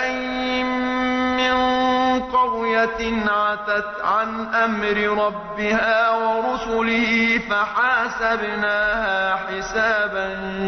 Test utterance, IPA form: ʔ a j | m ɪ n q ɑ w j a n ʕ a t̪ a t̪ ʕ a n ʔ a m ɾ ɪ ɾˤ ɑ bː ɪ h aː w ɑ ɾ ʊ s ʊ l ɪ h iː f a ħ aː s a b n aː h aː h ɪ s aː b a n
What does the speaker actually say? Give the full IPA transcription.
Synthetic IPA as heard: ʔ a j | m ɪ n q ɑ w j a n ʕ a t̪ a t̪ ʕ a n ʔ a m ɾ ɪ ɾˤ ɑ bː ɪ h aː w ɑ ɾ ʊ s ʊ l ɪ h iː f a ħ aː s a b n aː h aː ħ ɪ s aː b a n